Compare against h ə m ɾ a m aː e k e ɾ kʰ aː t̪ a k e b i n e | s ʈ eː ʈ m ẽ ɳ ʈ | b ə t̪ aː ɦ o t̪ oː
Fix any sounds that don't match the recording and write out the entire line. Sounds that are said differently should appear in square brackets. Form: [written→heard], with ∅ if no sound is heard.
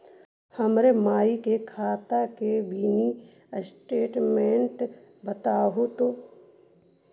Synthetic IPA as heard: h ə m ɾ [a→e] m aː [e→i] k e [ɾ→∅] kʰ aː t̪ a k e b i n [e→i] | s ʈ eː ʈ m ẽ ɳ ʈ | b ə t̪ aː ɦ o t̪ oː